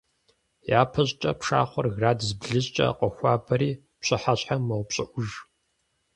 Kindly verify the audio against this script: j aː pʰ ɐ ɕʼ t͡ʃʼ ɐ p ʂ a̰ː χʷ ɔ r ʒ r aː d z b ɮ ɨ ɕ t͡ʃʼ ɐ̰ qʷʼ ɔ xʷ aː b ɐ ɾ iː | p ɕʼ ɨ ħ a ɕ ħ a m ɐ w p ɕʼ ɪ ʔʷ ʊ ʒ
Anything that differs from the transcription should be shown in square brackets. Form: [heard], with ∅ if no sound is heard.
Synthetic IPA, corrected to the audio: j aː pʰ ɐ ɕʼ t͡ʃʼ ɐ p ʂ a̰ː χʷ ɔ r [ɣ] r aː d z b ɮ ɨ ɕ t͡ʃʼ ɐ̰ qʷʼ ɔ xʷ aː b ɐ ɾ iː | p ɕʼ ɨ ħ a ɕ ħ a m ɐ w p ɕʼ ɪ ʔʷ ʊ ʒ